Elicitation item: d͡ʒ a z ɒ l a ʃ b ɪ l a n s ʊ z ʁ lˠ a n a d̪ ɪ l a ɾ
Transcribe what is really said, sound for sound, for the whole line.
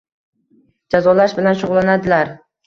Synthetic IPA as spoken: d͡ʒ a z ɒ l a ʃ b ɪ l a n ʃ ʊ ʁ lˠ a n a d̪ ɪ l a ɾ